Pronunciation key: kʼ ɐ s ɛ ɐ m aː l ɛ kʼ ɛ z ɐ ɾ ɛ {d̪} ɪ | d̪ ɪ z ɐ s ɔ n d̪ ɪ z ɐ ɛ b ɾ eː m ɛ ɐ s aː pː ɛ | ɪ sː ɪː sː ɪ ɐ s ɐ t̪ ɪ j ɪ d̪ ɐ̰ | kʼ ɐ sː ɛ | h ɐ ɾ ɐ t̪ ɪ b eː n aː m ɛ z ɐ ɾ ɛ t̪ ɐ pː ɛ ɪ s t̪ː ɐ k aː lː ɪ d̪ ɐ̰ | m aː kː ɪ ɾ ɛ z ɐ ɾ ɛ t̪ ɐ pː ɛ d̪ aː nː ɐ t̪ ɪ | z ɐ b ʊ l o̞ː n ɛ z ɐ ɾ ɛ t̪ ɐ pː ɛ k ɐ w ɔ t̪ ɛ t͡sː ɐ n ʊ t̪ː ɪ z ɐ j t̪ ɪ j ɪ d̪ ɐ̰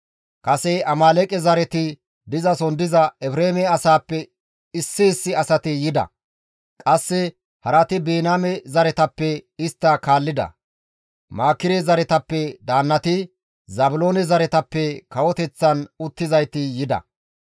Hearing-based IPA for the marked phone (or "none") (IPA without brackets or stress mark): t̪